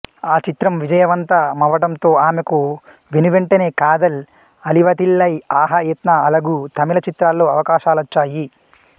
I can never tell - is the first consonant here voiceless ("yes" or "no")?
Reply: yes